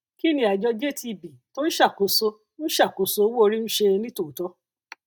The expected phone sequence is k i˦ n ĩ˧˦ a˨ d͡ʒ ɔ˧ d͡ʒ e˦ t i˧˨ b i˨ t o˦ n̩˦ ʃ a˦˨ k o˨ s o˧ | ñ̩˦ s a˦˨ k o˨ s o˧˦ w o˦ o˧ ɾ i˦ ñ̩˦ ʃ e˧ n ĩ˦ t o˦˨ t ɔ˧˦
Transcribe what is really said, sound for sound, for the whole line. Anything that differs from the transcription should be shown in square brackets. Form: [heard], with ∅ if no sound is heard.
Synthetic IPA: k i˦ n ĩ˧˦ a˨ d͡ʒ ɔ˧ d͡ʒ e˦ t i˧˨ b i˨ t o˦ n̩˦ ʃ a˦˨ k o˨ s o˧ | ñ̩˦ [ʃ] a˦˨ k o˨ s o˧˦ w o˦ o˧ ɾ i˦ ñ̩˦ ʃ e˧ n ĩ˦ t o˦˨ t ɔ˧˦